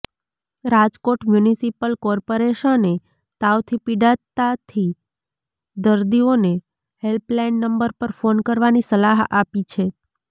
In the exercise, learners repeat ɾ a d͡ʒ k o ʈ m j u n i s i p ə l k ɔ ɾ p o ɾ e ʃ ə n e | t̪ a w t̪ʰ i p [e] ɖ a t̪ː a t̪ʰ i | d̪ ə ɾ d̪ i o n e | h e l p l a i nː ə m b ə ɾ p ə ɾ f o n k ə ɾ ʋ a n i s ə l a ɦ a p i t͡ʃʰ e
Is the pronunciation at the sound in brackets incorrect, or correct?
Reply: incorrect